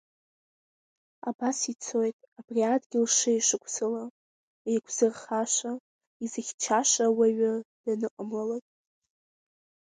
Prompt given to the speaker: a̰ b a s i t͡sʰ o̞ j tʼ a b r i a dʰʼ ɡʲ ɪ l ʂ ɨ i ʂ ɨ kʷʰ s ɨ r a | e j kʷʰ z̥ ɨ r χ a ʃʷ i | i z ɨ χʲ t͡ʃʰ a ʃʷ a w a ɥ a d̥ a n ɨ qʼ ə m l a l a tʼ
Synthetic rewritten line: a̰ b a s i t͡sʰ o̞ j tʼ a b r i a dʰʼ ɡʲ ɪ l ʂ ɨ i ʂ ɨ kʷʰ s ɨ l a | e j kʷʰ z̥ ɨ r χ a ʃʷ a | i z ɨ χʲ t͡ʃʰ a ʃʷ a w a ɥ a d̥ a n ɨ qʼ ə m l a l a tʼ